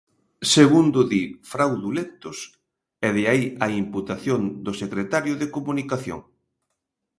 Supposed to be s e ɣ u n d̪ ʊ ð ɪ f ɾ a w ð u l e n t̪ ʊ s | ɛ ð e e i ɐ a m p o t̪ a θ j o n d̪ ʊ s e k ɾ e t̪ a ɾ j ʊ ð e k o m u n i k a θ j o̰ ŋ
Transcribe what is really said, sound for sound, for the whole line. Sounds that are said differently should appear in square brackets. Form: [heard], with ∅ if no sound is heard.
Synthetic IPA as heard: s e ɣ u n d̪ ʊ ð [i] f ɾ a w ð u l e n t̪ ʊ s | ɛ ð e [a] i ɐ [i] m p [u] t̪ a θ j o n d̪ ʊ s e k ɾ e t̪ a ɾ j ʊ ð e k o m u n i k a θ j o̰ ŋ